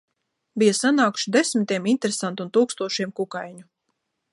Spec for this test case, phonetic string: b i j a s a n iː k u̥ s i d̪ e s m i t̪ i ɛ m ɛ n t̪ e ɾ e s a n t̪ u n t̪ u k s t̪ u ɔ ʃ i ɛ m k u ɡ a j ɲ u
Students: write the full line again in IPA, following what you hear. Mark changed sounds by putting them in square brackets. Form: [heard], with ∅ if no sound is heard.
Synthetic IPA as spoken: b i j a s a n [aː] k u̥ [ʃ] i d̪ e s m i t̪ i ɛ m [i] n t̪ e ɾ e s a n t̪ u n t̪ [uː] k s t̪ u ɔ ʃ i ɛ m k u [k] a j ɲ u